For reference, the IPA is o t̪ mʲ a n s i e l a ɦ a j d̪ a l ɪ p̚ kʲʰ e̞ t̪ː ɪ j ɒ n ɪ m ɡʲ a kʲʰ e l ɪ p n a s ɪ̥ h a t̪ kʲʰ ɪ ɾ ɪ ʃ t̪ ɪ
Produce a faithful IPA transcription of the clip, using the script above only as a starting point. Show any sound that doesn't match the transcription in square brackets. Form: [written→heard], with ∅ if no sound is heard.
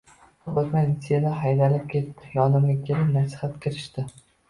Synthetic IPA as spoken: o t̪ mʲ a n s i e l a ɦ a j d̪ a l ɪ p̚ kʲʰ e̞ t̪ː ɪ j ɒ n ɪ m ɡʲ a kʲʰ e l ɪ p n a s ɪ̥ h a t̪ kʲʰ ɪ ɾ ɪ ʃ t̪ ɪ